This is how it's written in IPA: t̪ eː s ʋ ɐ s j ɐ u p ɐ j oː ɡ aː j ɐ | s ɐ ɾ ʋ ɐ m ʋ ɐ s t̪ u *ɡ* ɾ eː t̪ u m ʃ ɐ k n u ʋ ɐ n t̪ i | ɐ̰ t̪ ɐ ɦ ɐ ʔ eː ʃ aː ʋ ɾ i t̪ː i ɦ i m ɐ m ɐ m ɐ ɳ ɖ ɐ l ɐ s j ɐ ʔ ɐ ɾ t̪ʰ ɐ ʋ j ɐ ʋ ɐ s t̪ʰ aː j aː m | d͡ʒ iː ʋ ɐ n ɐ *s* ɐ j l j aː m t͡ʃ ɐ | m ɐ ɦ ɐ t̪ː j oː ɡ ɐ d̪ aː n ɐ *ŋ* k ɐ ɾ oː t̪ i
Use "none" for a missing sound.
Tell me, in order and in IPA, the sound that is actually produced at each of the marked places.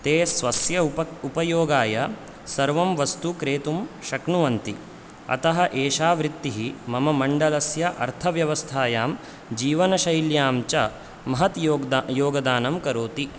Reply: k, ʃ, m

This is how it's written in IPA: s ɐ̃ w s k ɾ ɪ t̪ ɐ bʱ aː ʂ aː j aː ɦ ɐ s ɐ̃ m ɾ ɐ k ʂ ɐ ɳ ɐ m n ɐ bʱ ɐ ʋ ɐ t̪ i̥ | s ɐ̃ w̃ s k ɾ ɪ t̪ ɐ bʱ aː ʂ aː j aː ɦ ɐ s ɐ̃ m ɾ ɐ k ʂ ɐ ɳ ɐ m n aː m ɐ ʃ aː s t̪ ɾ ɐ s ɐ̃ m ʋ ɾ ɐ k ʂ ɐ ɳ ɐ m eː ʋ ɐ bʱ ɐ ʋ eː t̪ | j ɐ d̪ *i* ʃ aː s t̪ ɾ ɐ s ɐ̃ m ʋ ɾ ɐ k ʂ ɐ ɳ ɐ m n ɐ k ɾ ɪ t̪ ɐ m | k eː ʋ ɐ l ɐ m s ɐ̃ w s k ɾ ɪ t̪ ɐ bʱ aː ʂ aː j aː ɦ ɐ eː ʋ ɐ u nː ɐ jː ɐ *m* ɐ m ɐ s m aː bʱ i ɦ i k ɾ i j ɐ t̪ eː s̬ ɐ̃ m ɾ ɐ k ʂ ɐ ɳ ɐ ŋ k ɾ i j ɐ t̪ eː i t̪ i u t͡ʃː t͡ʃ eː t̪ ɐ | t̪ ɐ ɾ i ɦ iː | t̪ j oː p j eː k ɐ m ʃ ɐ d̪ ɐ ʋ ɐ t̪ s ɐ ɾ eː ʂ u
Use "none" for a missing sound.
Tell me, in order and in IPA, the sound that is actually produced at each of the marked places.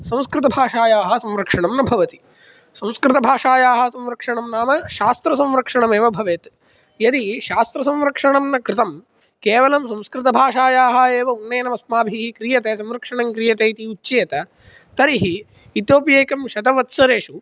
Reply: i, n

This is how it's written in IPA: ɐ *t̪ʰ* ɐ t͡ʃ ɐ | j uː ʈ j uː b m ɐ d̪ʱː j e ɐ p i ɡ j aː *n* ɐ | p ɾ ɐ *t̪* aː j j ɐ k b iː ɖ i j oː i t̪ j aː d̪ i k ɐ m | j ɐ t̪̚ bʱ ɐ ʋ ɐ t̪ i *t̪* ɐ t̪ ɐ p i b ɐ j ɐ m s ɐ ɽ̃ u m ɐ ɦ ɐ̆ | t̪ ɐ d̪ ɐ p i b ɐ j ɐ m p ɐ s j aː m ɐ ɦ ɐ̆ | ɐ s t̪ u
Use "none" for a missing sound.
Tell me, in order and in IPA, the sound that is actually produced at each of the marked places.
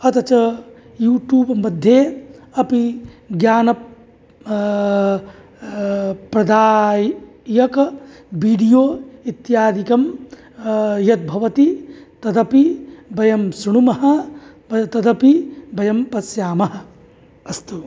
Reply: t̪, n, d̪, t̪

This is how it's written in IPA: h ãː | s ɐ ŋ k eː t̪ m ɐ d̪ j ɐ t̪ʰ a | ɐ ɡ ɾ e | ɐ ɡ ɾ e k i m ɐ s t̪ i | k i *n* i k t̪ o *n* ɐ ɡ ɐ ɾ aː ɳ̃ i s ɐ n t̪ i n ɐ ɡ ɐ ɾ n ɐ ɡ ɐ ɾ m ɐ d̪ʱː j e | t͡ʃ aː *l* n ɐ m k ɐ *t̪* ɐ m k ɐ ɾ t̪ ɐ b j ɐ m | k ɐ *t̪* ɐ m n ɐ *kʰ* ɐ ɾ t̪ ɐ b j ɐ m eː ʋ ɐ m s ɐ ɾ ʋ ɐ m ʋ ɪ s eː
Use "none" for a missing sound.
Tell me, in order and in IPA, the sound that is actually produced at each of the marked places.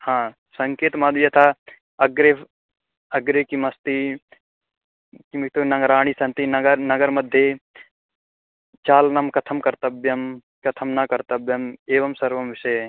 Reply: m, n, l, t̪ʰ, t̪ʰ, k

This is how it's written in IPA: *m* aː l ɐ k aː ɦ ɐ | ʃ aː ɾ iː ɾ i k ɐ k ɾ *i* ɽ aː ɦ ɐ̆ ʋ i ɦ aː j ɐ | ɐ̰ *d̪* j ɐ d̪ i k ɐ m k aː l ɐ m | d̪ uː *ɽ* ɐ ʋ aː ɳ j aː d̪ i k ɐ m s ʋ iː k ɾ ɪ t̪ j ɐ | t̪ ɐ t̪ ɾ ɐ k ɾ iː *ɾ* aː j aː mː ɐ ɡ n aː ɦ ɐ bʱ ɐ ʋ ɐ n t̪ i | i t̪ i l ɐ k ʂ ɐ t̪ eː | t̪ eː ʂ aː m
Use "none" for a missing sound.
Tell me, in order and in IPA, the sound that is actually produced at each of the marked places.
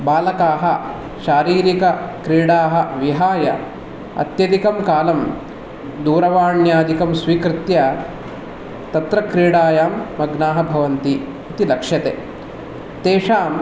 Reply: b, iː, t̪, ɾ, ɽ

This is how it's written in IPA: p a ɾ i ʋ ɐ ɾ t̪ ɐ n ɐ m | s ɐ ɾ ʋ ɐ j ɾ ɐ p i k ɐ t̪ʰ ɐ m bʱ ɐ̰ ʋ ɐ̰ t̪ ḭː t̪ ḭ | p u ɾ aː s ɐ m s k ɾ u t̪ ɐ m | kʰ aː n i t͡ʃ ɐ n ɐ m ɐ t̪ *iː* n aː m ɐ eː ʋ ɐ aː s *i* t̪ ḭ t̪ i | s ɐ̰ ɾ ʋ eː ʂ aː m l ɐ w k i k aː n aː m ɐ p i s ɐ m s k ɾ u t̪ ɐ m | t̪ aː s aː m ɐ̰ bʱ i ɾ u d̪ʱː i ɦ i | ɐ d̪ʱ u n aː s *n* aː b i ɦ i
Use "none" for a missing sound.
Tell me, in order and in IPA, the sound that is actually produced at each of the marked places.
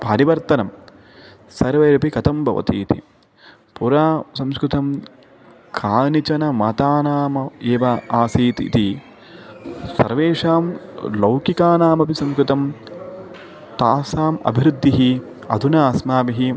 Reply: aː, iː, m

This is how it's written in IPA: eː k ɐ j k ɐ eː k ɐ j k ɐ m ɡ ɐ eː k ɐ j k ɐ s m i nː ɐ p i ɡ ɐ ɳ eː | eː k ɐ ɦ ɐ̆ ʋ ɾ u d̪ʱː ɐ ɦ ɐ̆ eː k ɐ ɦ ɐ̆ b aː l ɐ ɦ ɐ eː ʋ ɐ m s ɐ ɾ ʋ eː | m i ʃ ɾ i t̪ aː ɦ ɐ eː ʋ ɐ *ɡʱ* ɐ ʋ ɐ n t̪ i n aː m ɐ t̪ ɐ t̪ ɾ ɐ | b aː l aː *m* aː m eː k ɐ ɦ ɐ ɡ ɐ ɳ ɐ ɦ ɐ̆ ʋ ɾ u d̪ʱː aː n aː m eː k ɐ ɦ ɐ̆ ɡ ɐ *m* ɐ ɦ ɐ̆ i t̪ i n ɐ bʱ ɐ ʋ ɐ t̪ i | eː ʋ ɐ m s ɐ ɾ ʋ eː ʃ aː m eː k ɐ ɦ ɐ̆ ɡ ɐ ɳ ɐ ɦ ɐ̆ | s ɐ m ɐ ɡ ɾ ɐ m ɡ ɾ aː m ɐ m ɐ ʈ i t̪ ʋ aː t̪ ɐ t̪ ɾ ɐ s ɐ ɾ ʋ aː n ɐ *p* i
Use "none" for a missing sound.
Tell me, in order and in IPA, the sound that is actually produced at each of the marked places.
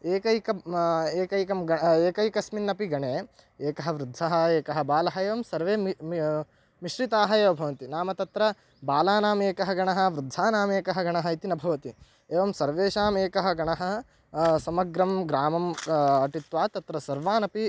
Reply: bʱ, n, ɳ, p

